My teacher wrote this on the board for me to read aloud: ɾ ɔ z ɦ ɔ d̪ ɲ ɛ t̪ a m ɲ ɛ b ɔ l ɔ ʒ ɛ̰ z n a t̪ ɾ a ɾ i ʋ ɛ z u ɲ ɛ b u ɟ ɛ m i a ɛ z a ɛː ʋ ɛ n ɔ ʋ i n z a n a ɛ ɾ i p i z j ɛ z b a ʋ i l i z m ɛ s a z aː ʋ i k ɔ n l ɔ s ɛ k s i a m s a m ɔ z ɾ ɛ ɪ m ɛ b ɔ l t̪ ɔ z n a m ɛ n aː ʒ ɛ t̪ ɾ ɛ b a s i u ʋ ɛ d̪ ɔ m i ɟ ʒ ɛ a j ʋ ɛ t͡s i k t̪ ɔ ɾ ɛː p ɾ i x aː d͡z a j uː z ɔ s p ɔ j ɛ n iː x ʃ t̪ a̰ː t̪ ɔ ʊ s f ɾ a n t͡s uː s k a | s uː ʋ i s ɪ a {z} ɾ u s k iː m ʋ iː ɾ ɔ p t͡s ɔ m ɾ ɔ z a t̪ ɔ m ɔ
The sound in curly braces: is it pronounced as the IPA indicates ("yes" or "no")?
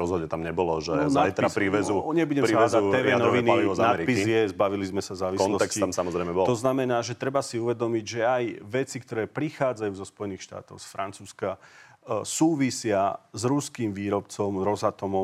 yes